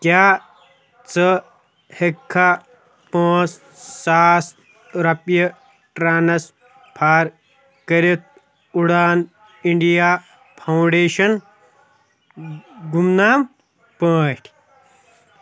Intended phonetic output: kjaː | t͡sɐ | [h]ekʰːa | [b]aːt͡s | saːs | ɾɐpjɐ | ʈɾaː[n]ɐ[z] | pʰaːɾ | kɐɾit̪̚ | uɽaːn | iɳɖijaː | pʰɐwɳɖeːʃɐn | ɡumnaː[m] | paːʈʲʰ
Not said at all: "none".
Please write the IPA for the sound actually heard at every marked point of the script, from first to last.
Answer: h, p, n, s, m

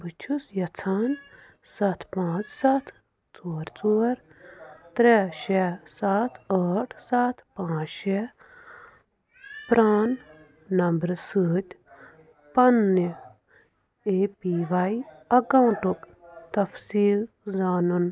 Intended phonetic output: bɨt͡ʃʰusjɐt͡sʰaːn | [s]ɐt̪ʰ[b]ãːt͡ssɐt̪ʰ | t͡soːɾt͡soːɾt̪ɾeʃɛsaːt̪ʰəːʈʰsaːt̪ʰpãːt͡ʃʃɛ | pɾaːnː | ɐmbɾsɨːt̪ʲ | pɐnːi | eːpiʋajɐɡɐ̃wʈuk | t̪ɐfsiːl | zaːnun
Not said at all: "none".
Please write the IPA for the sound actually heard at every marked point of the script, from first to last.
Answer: s, p

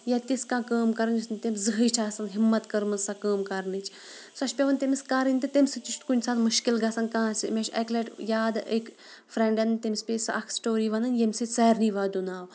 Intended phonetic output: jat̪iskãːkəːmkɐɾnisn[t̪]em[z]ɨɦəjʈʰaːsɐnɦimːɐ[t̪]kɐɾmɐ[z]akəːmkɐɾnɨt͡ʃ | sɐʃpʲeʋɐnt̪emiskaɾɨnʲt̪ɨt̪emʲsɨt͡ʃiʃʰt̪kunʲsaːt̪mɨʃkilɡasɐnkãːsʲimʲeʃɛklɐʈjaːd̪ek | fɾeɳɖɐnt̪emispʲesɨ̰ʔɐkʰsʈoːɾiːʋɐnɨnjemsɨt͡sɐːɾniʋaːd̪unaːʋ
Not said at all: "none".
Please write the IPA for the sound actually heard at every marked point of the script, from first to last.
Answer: t̪, z, t̪, s

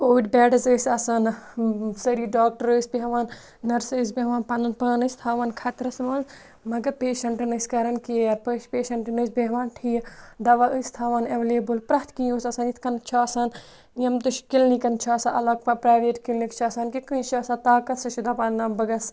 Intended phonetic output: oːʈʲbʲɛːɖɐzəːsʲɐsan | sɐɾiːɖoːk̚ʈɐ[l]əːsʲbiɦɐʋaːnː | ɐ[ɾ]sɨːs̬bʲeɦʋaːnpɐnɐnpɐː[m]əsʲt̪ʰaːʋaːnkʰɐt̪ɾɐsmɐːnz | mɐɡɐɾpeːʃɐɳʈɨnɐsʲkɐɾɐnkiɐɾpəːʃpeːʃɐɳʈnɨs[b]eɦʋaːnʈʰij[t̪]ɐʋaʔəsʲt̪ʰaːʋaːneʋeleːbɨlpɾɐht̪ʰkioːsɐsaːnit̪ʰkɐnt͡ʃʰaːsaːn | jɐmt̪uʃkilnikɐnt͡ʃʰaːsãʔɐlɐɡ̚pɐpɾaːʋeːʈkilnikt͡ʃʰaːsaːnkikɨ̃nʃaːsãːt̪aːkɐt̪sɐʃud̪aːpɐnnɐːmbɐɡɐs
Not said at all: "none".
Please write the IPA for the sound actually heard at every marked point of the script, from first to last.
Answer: ɾ, ɾ, n, b, d̪

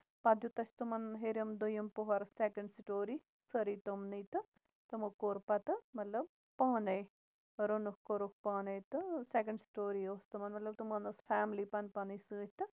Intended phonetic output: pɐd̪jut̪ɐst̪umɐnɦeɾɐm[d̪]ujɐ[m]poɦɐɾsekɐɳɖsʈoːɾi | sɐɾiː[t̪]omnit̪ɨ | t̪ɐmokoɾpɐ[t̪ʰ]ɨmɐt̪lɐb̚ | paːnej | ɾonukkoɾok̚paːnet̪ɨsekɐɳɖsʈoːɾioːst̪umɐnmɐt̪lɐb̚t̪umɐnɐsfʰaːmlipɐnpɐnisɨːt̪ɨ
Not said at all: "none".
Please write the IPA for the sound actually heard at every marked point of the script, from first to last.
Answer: d̪, m, t̪, t̪

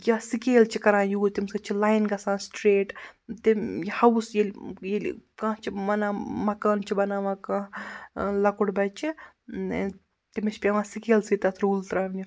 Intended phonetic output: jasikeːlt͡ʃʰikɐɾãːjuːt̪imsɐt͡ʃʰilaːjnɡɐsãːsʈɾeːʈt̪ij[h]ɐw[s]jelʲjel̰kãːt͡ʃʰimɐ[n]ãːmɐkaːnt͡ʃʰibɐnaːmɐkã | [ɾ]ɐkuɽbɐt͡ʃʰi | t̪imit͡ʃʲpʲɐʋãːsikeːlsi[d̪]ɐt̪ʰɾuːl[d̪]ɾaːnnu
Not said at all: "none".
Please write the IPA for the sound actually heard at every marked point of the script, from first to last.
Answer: h, s, n, l, t̪, t̪

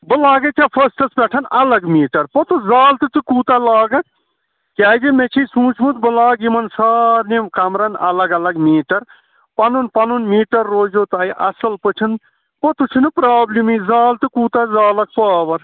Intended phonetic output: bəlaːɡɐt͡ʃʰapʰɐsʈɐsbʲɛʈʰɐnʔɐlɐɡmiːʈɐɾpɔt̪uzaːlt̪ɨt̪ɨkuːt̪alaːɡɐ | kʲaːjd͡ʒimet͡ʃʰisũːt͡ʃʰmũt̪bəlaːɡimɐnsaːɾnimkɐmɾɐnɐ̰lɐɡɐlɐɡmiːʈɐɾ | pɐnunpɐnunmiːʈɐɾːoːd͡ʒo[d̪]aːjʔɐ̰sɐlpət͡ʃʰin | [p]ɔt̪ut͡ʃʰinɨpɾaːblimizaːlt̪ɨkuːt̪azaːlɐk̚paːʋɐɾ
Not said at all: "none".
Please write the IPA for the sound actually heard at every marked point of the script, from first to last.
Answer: t̪, p

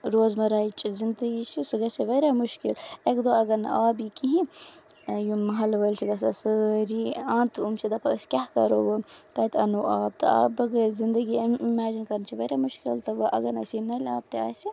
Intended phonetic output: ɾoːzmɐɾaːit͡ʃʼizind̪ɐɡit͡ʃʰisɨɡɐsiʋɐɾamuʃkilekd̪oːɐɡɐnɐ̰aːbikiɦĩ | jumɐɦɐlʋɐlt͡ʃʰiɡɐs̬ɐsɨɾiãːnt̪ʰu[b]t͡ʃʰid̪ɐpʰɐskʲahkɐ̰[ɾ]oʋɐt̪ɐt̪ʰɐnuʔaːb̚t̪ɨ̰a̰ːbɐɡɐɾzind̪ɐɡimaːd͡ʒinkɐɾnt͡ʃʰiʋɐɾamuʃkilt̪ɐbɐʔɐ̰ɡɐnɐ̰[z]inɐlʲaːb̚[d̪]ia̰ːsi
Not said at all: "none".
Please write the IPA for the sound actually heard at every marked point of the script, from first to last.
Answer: m, ɾ, s, t̪

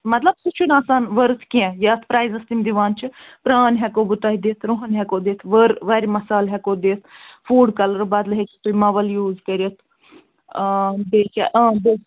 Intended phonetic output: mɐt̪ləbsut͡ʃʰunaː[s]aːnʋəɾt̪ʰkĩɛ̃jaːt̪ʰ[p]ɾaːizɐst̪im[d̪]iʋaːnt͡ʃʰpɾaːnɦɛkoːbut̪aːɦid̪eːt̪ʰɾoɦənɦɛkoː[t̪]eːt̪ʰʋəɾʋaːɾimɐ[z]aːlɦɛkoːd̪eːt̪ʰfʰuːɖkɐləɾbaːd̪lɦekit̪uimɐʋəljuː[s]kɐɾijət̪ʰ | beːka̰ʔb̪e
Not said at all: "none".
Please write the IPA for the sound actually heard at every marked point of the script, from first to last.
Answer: s, p, d̪, d̪, s, z

